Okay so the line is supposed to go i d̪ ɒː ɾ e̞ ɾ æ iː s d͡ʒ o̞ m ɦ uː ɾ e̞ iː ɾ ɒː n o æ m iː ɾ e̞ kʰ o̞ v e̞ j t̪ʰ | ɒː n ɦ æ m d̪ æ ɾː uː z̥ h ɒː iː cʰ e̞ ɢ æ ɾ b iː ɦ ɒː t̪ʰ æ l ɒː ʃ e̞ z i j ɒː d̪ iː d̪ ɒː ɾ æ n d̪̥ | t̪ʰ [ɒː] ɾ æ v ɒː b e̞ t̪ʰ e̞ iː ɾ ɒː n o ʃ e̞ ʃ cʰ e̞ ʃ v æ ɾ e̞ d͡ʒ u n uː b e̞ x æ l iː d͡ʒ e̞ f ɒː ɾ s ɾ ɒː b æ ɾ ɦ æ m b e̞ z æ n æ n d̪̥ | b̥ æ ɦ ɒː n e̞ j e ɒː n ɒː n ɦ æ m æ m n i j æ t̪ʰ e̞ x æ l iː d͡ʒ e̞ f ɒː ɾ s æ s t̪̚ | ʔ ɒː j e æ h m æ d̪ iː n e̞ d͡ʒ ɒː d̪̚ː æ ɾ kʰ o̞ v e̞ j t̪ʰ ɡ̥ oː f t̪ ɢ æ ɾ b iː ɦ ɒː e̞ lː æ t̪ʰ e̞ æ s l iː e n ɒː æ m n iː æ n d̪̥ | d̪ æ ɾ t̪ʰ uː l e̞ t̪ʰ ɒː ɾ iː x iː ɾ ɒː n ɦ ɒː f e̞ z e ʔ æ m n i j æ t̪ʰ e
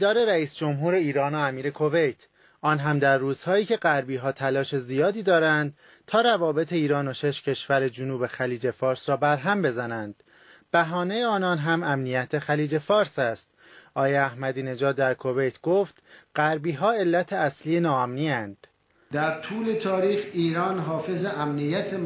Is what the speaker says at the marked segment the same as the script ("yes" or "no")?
yes